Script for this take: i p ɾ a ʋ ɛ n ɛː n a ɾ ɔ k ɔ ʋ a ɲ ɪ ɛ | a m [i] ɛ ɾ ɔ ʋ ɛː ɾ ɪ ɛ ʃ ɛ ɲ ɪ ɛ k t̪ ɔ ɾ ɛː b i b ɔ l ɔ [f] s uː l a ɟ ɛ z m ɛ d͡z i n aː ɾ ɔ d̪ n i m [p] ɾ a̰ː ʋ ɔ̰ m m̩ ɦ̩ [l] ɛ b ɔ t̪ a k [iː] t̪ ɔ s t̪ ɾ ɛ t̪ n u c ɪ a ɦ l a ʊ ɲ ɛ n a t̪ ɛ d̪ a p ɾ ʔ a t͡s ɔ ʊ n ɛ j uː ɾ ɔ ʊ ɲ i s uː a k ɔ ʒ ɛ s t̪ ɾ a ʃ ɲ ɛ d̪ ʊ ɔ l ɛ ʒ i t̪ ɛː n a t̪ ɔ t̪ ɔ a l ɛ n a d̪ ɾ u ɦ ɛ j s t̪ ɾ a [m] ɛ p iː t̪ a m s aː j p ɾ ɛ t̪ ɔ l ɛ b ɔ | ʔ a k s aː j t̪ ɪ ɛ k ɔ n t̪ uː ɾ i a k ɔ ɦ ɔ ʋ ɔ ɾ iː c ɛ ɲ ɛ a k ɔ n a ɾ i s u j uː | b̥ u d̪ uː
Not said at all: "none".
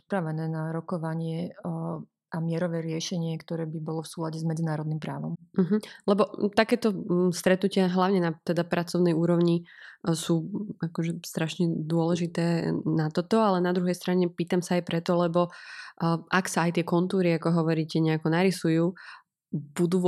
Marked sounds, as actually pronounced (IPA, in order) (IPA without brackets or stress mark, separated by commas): ɪ, f, p, l, ɛː, ɲ